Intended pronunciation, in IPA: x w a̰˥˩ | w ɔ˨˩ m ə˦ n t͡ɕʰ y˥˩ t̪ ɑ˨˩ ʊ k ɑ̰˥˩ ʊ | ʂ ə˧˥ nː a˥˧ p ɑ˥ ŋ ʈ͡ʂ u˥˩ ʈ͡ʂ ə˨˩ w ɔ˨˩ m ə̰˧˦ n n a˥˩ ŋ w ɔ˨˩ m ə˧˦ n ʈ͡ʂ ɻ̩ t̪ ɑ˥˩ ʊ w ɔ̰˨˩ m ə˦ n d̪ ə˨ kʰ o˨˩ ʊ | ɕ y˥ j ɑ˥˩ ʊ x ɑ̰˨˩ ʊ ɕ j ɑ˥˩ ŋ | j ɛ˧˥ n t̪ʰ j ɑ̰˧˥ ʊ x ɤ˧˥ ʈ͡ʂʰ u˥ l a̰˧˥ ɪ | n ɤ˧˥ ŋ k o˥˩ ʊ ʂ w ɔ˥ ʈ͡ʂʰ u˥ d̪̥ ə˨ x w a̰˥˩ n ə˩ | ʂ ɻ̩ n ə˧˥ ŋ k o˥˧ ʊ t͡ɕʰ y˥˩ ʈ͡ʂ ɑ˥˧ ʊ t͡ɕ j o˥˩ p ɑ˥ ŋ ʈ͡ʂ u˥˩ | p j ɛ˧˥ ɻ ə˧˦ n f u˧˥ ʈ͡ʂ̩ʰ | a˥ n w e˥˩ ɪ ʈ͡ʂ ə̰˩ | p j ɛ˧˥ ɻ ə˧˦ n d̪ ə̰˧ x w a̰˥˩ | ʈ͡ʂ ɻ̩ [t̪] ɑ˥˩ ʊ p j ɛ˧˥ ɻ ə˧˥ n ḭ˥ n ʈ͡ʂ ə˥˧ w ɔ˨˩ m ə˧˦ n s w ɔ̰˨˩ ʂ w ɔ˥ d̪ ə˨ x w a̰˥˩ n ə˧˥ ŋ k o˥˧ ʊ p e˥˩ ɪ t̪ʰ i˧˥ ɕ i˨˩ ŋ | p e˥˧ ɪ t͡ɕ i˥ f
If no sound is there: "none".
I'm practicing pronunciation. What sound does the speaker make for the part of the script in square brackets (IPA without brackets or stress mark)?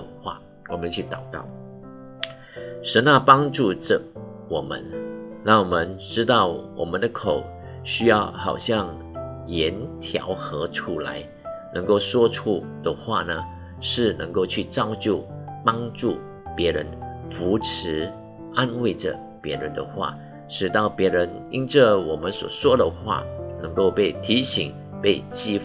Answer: t̪